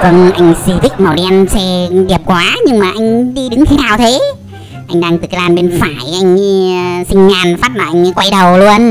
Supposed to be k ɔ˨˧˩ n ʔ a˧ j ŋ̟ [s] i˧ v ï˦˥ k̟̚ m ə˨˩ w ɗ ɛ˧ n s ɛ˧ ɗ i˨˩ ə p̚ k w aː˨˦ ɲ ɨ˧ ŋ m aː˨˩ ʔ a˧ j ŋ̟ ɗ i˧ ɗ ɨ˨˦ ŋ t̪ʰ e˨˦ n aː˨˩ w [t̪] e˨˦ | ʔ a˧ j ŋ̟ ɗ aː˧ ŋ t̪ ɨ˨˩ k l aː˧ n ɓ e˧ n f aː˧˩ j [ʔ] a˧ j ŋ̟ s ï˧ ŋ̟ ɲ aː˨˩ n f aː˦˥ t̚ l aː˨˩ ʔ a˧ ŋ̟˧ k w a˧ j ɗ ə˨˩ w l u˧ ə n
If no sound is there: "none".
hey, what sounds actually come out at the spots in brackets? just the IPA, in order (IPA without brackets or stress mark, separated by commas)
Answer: s, t̪ʰ, ʔ